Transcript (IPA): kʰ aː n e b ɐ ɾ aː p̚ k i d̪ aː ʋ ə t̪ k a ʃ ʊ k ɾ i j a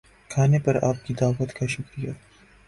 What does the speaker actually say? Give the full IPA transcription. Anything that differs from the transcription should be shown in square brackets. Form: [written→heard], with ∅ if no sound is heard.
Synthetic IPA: kʰ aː n e [b→p] ɐ ɾ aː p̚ k i d̪ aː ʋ ə t̪ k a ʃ ʊ k ɾ i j a